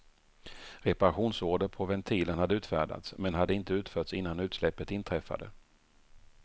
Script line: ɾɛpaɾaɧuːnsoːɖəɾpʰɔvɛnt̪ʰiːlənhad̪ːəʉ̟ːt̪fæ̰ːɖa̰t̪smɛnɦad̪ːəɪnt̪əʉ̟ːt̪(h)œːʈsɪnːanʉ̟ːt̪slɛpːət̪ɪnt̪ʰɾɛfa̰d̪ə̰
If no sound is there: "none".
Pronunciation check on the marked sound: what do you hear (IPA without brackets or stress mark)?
f